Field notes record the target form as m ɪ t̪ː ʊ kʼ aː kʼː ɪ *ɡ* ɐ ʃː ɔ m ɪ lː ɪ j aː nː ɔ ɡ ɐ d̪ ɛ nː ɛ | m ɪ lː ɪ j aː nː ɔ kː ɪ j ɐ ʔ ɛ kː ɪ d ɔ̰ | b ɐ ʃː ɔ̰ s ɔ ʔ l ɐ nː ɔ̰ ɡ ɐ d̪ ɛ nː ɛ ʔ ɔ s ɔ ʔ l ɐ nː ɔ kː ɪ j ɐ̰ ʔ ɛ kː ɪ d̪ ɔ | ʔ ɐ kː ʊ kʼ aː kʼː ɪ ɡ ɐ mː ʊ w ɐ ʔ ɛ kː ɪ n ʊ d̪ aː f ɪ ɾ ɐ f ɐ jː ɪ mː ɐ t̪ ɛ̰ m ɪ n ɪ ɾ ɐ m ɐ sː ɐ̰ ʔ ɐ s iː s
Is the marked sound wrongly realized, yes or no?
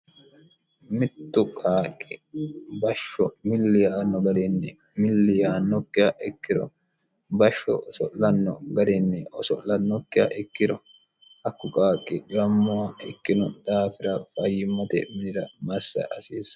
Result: yes